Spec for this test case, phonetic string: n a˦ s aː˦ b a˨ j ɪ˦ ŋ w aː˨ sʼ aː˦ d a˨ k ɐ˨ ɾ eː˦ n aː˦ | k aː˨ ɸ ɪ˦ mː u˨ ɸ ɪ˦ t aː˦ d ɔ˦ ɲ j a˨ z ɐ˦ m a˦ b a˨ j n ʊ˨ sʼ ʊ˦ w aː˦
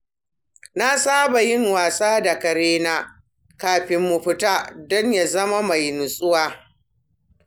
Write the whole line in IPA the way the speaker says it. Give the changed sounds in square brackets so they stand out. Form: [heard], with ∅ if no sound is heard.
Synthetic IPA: n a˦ s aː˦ b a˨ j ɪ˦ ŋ w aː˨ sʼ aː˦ d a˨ k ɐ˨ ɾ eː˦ n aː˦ | k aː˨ ɸ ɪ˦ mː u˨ ɸ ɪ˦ t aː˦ d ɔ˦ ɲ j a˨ z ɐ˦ m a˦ [m] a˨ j n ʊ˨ sʼ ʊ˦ w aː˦

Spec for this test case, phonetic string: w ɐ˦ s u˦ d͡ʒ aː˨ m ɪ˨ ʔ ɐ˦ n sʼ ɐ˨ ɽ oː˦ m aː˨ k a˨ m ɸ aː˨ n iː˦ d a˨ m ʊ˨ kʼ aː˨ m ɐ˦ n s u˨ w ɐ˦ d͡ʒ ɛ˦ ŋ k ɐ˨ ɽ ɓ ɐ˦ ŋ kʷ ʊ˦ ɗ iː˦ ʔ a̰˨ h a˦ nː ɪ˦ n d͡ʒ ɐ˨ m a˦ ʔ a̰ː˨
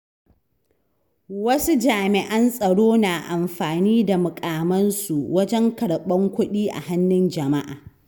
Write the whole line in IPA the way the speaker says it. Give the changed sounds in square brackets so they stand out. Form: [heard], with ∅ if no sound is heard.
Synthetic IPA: w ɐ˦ s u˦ d͡ʒ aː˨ m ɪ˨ ʔ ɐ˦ n sʼ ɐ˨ ɽ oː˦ [n] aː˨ [ʔ] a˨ m ɸ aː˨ n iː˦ d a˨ m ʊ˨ kʼ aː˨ m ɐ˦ n s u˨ w ɐ˦ d͡ʒ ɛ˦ ŋ k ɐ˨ ɽ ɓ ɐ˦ ŋ kʷ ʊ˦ ɗ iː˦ ʔ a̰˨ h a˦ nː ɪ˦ n d͡ʒ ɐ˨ m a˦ ʔ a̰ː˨

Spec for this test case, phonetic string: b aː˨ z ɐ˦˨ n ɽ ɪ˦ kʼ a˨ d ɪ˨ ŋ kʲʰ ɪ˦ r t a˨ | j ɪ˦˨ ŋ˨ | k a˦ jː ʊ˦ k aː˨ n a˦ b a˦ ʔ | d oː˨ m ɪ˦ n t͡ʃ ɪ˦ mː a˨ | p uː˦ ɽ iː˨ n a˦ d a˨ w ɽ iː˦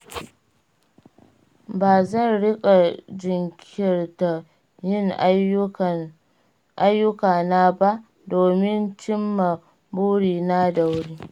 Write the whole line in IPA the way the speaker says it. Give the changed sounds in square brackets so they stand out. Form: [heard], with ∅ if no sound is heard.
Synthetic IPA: b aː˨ z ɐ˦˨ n ɽ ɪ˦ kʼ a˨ [d͡ʒ] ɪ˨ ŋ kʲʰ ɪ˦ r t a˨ | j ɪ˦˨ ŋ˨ | [ʔ] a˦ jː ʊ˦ k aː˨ n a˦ b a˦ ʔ | d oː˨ m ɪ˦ n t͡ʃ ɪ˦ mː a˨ | [b] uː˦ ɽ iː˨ n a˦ d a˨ w ɽ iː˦

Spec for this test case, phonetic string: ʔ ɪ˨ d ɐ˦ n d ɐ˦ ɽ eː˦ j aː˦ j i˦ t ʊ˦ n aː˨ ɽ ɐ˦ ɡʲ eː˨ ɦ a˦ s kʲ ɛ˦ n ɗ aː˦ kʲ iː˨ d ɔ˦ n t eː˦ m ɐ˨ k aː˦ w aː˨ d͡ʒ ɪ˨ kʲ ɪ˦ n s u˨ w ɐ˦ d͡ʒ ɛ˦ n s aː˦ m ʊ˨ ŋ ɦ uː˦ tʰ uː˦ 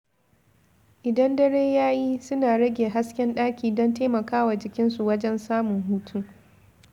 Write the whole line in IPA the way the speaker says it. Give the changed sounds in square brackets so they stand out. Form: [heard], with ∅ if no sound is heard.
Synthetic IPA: ʔ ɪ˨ d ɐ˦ n d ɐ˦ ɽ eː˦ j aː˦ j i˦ [s] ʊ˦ n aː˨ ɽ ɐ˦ ɡʲ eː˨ ɦ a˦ s kʲ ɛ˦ n ɗ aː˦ kʲ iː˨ d ɔ˦ n t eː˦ m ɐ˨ k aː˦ w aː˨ d͡ʒ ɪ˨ kʲ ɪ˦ n s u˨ w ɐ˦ d͡ʒ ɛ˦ n s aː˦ m ʊ˨ ŋ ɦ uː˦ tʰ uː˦

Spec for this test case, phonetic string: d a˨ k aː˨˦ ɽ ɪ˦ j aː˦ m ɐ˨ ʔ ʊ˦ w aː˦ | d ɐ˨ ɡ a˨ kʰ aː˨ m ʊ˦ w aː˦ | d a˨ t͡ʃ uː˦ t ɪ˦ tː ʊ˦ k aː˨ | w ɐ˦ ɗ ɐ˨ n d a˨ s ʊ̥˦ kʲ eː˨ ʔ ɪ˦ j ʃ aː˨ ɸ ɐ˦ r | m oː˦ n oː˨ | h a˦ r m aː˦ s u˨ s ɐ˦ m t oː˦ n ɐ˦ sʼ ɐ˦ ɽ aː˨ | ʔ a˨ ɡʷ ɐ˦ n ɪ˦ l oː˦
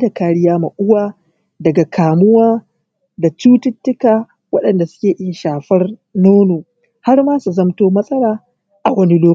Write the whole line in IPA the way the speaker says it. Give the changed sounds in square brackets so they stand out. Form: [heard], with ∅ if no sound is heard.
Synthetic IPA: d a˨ k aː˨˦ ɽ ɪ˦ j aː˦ m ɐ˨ ʔ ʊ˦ w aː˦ | d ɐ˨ ɡ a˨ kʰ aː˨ m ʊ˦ w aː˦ | d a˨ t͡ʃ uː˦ t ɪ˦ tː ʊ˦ k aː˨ | w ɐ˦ ɗ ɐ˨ n d a˨ s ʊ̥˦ kʲ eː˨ ʔ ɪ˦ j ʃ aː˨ ɸ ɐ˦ r | [n] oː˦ n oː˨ | h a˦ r m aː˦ s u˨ [z] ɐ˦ m t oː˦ [m] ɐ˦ sʼ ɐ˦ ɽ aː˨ | ʔ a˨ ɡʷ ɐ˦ n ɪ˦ l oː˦

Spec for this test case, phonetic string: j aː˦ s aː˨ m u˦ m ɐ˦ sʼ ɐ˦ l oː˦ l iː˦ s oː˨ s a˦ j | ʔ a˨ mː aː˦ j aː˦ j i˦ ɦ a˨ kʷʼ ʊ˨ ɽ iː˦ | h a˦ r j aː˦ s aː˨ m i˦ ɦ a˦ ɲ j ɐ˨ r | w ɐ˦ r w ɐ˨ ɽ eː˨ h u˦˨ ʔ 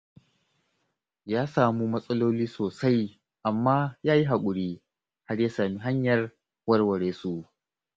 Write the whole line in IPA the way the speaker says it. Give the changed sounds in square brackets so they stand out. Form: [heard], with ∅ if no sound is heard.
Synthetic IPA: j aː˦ s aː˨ m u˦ m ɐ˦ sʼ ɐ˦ l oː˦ l iː˦ s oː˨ s a˦ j | ʔ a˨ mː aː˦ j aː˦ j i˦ ɦ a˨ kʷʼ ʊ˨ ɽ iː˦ | h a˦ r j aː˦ s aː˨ m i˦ ɦ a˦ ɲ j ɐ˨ r | w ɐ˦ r w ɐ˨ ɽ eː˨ [s] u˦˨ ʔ

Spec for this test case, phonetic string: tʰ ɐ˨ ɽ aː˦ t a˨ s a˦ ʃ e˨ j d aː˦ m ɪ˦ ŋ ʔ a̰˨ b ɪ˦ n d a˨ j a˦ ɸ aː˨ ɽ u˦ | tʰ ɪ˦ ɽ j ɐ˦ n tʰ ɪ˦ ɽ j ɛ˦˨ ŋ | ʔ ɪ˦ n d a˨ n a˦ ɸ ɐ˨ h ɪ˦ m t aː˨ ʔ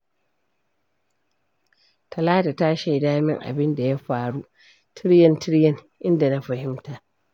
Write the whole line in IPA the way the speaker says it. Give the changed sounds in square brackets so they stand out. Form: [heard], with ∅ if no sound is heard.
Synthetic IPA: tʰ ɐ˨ [l] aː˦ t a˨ [t] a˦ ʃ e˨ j d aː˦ m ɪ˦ ŋ ʔ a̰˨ b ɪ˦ n d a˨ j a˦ ɸ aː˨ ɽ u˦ | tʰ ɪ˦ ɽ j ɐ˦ n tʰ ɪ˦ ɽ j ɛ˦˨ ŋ | ʔ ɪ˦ n d a˨ n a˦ ɸ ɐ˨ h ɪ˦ m t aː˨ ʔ

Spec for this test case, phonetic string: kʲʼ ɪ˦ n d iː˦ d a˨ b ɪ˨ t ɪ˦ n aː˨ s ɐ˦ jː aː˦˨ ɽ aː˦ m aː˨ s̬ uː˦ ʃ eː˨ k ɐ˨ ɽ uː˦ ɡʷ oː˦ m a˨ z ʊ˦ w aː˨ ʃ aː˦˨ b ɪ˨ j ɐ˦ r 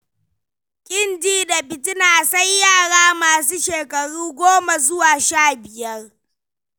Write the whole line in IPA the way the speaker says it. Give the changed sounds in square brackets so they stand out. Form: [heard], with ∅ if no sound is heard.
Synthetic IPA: kʲʼ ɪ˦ n d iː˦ d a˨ b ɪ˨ t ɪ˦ n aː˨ s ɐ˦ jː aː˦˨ ɽ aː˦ m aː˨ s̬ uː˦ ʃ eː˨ k ɐ˨ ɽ uː˦ ɡʷ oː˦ m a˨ z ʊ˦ w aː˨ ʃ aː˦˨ b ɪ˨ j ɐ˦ r

